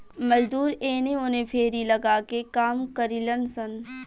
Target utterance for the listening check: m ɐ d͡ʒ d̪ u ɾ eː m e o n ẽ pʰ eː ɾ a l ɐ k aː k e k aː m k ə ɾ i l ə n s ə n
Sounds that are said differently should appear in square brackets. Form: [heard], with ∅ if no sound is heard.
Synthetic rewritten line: m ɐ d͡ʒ d̪ [uː] ɾ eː [n] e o n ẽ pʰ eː ɾ [i] l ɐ [ɡ] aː k e k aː m k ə ɾ i l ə n s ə n